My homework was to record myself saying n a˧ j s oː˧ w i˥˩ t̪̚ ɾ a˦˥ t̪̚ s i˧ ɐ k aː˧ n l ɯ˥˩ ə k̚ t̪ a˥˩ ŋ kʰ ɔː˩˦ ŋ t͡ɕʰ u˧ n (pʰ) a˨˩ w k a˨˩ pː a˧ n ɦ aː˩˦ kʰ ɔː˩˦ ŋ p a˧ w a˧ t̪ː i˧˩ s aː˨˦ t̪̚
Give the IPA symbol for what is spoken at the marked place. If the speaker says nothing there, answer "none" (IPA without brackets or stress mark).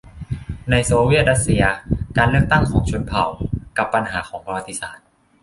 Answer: pʰ